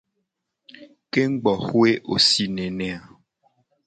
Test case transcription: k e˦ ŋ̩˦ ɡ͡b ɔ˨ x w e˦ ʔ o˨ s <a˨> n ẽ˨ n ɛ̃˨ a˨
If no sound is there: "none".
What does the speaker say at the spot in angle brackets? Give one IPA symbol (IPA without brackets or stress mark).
i˨